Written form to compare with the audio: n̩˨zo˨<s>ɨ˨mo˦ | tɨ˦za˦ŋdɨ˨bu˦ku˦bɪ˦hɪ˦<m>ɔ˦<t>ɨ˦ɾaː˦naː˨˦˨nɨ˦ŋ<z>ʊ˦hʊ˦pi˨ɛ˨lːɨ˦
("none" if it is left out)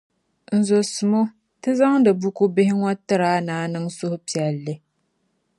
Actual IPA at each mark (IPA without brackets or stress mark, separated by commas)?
s, ŋ, t, s